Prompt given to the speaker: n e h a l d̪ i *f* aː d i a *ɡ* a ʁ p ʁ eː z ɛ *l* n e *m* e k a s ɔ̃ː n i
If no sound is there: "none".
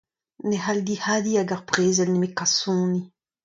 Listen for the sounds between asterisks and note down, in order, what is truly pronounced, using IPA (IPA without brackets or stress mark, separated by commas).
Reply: h, ɡ, l, m